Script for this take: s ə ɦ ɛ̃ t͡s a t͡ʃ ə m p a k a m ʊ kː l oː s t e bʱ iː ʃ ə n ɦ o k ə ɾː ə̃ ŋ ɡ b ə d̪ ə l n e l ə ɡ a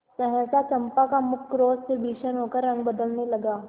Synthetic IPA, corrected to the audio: s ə ɦ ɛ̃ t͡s a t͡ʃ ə m p a k a m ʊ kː ɾ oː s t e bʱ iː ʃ ə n ɦ o k ə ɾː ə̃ ŋ ɡ b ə d̪ ə l n e l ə ɡ a